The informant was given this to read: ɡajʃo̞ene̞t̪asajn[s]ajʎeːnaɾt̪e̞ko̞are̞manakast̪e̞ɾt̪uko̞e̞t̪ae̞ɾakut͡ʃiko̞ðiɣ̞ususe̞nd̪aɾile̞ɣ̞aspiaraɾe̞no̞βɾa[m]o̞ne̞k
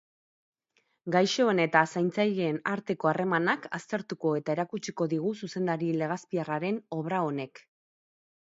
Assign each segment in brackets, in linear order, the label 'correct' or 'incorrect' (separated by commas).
incorrect, incorrect